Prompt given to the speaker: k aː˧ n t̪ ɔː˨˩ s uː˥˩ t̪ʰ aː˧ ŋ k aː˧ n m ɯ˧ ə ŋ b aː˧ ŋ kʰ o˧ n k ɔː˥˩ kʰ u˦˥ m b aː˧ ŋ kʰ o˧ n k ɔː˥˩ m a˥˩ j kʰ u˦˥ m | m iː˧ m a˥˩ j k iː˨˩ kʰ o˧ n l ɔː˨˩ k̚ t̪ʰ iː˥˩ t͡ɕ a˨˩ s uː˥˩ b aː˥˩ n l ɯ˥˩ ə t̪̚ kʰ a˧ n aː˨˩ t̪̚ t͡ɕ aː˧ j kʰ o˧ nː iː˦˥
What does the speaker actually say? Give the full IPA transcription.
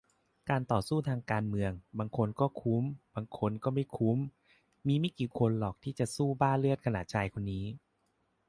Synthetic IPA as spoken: k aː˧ n t̪ ɔː˨˩ s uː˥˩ t̪ʰ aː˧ ŋ k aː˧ n m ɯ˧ ə ŋ b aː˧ ŋ kʰ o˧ n k ɔː˥˩ kʰ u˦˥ m b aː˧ ŋ kʰ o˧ n k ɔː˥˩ m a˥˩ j kʰ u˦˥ m | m iː˧ m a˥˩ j k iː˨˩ kʰ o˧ n l ɔː˨˩ k̚ t̪ʰ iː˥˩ t͡ɕ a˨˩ s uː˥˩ b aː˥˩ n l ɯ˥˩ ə t̪̚ kʰ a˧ n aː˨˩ t̪̚ t͡ɕʰ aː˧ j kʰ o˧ nː iː˦˥

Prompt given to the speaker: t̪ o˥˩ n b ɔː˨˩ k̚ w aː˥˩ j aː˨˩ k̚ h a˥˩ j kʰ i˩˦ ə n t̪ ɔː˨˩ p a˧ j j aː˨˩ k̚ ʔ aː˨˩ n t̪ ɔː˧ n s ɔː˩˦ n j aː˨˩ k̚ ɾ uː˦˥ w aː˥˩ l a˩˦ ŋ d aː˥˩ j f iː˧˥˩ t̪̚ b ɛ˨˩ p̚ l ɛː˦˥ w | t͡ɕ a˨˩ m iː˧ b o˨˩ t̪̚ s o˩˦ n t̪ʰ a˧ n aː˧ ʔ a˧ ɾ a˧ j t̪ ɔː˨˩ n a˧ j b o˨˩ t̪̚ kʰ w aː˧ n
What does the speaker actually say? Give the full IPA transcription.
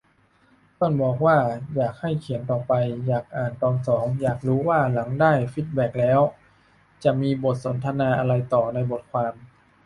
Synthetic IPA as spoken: t̪ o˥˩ n b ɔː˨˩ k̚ w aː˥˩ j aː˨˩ k̚ h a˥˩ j kʰ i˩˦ ə n t̪ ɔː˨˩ p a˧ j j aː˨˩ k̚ ʔ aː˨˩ n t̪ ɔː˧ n s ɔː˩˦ ŋ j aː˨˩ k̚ ɾ uː˦˥ w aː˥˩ l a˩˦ ŋ d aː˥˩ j f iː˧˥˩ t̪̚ b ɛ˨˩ k̚ l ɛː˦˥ w | t͡ɕ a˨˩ m iː˧ b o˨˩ t̪̚ s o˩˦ n t̪ʰ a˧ n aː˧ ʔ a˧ ɾ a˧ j t̪ ɔː˨˩ n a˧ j b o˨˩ t̪̚ kʰ w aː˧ m

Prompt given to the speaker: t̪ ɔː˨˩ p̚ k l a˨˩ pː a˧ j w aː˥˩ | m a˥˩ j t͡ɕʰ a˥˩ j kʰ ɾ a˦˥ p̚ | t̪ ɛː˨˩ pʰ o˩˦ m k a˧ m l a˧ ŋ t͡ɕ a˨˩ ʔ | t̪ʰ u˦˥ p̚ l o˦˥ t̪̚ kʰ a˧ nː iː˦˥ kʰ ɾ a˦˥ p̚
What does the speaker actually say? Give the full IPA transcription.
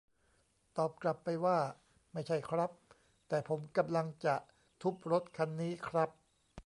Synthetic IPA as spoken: t̪ ɔː˨˩ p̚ k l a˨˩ pː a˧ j w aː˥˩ | m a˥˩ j t͡ɕʰ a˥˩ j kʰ ɾ a˦˥ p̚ | t̪ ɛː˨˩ pʰ o˩˦ m k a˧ m l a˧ ŋ t͡ɕ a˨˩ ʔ | t̪ʰ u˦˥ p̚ ɾ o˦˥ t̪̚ kʰ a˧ nː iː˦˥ kʰ ɾ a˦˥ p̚

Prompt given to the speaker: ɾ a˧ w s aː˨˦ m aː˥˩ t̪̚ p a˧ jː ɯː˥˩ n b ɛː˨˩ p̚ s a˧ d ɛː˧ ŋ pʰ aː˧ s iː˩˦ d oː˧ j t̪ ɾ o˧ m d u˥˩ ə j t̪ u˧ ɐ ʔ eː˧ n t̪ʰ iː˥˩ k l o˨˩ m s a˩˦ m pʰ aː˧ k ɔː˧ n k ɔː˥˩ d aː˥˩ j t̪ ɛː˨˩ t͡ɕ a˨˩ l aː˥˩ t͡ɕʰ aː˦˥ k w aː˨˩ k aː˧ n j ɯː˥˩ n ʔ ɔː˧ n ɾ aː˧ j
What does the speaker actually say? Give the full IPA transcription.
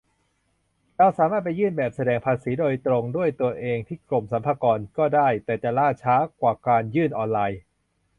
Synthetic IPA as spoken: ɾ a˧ w s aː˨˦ m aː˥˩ t̪̚ p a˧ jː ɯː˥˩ n b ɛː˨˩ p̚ s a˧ d ɛː˧ ŋ pʰ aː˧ s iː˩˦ d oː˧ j t̪ ɾ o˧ ŋ d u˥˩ ə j t̪ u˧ ɐ ʔ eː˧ ŋ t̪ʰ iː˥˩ k l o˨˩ m s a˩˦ m pʰ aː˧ k ɔː˧ n k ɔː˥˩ d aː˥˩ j t̪ ɛː˨˩ t͡ɕ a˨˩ l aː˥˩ t͡ɕʰ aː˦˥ k w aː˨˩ k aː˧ n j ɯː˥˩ n ʔ ɔː˧ n l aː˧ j

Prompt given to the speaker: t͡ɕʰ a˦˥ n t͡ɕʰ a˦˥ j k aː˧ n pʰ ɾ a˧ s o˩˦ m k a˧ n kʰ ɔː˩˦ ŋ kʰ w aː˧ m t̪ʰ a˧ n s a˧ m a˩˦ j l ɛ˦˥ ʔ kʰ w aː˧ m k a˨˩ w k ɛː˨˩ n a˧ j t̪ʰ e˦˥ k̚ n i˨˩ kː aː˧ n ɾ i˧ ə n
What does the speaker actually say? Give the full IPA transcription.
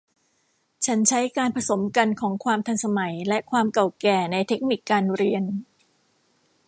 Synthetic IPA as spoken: t͡ɕʰ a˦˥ n t͡ɕʰ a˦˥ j k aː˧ n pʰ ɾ a˧ s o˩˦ m k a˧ n kʰ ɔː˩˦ ŋ kʰ w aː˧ m t̪ʰ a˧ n s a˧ m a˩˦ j l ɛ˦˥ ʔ kʰ w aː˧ m k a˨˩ w k ɛː˨˩ n a˧ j t̪ʰ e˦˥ k̚ n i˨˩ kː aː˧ n ɾ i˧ ə n

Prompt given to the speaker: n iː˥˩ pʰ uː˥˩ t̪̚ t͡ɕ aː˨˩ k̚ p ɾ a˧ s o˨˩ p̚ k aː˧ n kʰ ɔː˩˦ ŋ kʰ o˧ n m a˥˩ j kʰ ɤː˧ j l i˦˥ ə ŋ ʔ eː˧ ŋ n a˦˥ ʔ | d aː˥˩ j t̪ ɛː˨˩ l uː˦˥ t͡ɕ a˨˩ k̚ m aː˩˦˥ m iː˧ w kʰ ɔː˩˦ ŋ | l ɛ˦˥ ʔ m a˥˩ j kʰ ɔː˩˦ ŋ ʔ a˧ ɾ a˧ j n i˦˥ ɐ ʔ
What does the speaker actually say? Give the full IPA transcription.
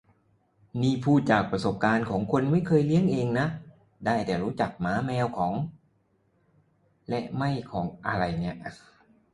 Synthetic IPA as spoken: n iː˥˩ pʰ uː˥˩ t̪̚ t͡ɕ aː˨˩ k̚ p ɾ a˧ s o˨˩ p̚ k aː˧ n kʰ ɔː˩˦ ŋ kʰ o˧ n m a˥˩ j kʰ ɤː˧ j l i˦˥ ə ŋ ʔ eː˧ ŋ n a˦˥ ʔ | d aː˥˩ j t̪ ɛː˨˩ ɾ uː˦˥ t͡ɕ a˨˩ k̚ m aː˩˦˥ m ɛː˧ w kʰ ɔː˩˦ ŋ | l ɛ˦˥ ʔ m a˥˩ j kʰ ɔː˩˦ ŋ ʔ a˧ ɾ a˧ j n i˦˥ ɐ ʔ

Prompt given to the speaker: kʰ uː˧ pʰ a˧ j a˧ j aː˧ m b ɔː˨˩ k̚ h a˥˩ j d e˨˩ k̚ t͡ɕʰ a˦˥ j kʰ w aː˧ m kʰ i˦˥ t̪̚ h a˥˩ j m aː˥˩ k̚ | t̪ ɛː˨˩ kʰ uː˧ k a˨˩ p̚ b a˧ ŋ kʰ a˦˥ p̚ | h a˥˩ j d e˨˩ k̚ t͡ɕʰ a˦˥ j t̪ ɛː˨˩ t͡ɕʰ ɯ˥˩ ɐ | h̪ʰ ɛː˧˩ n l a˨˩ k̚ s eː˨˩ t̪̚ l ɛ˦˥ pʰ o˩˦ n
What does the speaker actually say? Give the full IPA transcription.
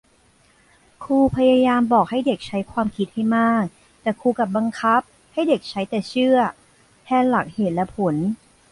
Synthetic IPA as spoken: kʰ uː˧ pʰ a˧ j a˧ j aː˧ m b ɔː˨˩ k̚ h a˥˩ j d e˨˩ k̚ t͡ɕʰ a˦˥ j kʰ w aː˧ m kʰ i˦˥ t̪̚ h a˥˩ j m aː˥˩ k̚ | t̪ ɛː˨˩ kʰ uː˧ k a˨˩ p̚ b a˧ ŋ kʰ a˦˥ p̚ | h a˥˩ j d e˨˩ k̚ t͡ɕʰ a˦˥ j t̪ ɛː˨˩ t͡ɕʰ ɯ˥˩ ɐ | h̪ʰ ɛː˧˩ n l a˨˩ k̚ h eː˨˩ t̪̚ l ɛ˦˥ pʰ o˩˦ n

